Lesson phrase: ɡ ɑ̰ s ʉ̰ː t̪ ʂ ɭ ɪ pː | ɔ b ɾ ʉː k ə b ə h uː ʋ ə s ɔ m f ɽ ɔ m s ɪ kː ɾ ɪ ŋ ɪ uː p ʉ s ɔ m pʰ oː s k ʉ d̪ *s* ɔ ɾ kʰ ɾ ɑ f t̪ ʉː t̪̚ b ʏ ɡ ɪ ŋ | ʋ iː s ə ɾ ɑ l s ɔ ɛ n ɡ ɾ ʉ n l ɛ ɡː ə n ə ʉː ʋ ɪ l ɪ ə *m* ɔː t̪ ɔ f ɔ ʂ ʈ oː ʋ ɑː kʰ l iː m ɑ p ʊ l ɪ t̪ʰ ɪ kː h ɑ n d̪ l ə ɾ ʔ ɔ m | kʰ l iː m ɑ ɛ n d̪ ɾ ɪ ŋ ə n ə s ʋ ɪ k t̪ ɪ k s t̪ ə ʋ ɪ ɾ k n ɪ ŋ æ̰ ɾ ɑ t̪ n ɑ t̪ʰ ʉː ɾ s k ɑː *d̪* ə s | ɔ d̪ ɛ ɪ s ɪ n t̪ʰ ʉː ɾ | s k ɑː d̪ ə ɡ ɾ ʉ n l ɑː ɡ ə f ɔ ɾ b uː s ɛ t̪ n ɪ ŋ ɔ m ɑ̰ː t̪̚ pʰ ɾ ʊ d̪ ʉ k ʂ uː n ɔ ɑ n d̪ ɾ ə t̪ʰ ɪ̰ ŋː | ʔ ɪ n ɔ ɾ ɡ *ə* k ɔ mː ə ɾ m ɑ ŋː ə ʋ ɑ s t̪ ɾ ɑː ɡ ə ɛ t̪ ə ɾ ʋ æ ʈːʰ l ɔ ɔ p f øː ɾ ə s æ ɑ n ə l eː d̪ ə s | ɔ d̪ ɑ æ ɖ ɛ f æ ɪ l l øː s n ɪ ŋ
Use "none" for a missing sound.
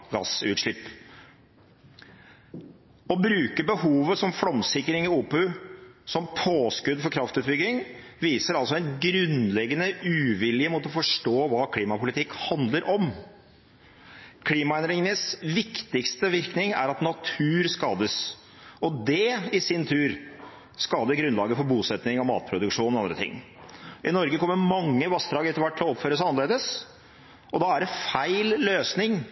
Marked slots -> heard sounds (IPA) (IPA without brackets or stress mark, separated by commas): f, m, d̪, ə